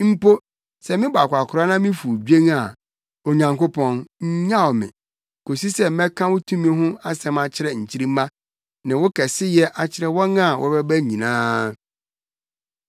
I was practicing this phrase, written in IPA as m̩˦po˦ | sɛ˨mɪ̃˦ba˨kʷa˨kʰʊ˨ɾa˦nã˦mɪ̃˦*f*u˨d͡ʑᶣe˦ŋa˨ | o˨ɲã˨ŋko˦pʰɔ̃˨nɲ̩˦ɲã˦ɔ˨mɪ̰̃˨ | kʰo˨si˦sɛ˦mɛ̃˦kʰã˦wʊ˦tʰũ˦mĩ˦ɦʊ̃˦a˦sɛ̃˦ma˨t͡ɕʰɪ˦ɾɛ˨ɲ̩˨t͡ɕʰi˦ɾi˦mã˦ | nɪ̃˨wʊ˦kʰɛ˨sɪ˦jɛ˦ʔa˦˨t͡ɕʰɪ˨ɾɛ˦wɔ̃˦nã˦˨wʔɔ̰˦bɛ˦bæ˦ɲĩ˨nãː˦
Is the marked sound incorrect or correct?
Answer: correct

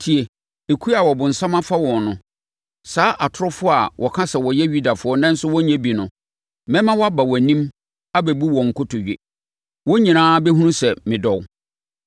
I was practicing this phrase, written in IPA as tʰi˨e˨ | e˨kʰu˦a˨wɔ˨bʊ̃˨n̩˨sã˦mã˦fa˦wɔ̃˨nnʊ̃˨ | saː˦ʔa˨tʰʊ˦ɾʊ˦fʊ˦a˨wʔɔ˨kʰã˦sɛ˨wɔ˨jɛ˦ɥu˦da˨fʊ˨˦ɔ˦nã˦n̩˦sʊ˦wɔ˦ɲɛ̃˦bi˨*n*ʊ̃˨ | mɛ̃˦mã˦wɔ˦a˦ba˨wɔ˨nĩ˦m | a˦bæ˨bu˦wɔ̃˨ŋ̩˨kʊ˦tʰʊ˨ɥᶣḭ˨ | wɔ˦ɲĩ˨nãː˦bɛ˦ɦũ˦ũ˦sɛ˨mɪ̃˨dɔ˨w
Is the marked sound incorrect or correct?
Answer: correct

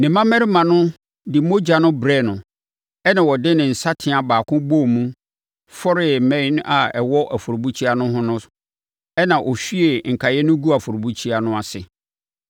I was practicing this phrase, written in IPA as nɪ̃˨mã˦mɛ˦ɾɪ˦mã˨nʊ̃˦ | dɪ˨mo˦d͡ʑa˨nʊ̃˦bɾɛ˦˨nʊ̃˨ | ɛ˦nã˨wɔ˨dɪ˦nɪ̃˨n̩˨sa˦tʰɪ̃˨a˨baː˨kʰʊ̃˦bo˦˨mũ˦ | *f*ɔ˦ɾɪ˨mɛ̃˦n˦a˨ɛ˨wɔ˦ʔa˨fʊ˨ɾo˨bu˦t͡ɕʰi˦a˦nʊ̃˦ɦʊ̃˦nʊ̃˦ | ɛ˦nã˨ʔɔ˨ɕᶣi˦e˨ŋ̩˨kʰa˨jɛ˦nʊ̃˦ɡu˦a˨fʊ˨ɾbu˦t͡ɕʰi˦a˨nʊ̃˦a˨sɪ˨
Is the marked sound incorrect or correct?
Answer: correct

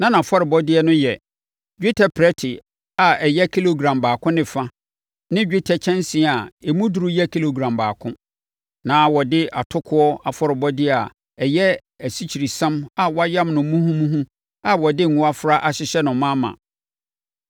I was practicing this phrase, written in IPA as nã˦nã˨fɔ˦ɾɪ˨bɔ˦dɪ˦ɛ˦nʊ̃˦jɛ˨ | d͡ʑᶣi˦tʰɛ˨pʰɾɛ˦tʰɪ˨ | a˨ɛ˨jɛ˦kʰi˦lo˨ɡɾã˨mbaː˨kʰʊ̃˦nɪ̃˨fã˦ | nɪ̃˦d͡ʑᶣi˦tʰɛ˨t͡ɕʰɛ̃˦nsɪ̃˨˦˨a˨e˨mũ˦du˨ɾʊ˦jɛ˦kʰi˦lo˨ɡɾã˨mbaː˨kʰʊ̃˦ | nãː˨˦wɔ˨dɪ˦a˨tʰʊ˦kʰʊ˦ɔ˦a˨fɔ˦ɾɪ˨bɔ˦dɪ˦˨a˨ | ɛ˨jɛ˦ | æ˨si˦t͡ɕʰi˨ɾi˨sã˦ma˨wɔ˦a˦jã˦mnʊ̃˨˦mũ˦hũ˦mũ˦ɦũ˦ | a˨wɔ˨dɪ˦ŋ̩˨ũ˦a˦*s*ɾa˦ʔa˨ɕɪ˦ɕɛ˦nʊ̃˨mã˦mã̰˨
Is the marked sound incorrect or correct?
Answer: incorrect: f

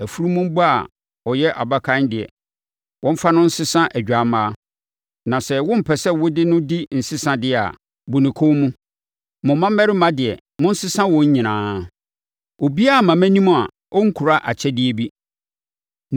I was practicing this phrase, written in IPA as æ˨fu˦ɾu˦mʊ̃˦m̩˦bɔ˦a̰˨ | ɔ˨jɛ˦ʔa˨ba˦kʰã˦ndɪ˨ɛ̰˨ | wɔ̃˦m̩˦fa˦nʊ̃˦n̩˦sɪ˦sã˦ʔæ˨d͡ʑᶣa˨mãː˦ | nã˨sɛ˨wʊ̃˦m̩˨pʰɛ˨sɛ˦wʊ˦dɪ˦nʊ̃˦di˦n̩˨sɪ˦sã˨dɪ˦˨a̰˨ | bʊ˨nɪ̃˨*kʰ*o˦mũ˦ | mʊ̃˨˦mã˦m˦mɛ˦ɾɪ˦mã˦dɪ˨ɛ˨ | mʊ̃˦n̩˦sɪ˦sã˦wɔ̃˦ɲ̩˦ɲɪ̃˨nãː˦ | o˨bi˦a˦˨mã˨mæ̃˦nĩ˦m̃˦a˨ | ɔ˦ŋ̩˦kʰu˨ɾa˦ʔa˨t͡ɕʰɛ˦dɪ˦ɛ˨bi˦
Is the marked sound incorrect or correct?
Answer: correct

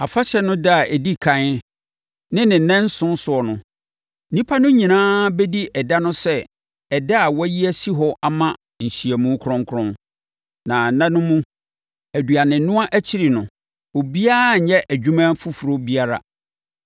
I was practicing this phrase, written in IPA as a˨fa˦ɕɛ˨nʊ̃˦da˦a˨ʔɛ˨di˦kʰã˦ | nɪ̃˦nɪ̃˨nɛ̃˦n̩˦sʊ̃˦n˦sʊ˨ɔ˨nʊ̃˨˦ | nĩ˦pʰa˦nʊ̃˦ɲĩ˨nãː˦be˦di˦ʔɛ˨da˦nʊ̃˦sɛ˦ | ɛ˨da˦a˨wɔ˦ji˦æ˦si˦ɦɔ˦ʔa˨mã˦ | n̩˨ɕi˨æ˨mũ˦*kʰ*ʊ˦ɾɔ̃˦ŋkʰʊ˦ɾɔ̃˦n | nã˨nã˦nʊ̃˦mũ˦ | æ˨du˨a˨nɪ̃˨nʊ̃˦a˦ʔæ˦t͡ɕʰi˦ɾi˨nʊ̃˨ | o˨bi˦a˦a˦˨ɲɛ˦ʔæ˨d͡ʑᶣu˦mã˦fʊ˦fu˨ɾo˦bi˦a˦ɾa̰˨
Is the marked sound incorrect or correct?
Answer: correct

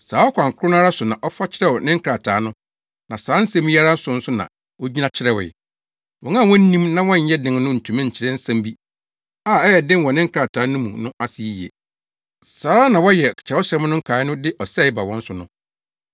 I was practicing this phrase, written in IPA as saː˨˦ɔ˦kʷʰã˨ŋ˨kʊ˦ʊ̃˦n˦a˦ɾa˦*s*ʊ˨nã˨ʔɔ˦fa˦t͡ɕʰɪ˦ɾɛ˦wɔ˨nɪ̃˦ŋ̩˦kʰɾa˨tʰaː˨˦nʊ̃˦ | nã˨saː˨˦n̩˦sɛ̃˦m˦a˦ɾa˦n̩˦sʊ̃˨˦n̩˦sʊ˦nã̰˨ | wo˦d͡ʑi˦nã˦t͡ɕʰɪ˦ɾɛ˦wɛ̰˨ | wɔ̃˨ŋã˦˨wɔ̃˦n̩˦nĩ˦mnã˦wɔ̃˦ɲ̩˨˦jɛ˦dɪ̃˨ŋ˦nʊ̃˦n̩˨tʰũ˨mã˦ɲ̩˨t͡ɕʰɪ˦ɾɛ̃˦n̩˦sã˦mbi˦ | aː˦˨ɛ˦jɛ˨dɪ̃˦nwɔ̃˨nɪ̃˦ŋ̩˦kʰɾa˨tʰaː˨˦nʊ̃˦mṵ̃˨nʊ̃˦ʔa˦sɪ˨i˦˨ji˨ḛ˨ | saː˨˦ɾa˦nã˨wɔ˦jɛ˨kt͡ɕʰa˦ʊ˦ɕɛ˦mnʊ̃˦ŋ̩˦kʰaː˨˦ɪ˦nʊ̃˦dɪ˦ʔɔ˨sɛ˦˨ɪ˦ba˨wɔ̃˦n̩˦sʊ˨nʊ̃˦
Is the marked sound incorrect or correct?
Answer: correct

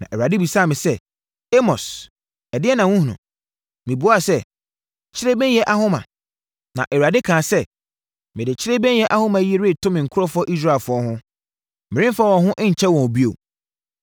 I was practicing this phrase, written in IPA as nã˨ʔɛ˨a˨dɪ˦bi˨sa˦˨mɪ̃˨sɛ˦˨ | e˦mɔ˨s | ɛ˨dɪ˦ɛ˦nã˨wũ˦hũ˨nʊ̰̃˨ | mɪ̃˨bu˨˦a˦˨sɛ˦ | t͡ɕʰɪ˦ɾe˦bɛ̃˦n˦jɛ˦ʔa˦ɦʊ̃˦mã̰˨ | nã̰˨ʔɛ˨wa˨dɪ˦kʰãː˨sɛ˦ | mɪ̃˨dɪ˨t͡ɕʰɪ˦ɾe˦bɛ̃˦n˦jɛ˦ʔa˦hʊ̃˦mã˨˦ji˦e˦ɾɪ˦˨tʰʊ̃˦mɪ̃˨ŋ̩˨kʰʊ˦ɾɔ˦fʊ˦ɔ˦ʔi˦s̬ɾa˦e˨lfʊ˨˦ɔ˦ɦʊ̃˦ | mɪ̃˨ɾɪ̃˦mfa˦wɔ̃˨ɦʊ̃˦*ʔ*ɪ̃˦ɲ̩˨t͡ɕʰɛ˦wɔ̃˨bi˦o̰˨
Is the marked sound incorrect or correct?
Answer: correct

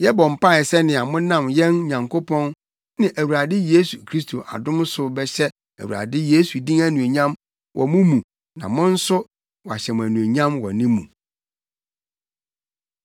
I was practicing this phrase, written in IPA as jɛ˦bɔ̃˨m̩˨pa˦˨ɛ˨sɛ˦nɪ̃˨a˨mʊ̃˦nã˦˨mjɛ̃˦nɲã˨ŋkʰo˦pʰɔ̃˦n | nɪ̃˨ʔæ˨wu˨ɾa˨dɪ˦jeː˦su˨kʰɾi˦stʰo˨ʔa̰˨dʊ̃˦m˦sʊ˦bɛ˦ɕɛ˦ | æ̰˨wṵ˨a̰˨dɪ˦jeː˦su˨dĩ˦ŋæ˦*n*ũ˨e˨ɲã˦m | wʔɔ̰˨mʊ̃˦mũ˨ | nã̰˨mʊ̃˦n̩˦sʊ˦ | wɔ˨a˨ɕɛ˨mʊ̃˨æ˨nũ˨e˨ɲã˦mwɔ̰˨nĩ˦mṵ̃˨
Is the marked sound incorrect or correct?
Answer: correct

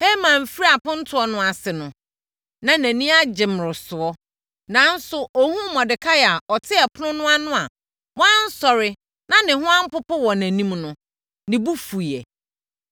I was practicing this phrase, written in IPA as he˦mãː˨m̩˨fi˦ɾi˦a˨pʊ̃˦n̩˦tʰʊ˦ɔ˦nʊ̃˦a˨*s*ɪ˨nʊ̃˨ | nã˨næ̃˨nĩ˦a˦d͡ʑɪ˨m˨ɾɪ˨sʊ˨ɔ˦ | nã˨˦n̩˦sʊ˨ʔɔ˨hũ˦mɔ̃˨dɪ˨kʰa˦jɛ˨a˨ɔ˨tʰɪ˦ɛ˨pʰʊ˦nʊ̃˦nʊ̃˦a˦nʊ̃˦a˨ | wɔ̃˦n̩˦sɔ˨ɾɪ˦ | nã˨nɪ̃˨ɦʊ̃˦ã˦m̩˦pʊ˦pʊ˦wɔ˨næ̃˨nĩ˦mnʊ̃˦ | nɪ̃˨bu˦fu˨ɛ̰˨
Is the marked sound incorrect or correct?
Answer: correct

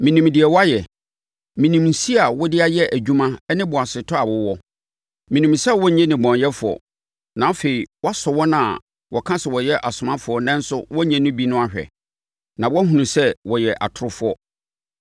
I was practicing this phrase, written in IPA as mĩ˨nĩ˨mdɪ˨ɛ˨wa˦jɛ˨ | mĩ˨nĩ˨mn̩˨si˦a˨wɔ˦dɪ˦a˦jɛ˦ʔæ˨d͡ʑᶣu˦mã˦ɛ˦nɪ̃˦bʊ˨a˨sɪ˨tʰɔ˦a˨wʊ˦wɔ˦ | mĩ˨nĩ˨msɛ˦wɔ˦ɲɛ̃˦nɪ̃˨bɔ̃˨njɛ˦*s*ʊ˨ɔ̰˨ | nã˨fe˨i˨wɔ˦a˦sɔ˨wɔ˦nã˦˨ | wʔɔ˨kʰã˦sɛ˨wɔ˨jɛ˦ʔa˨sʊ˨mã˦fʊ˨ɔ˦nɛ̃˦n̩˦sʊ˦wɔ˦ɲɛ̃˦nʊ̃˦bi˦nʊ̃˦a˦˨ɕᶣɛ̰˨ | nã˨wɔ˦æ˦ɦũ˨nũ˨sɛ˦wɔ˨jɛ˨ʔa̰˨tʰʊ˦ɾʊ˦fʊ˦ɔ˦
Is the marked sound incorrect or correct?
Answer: incorrect: f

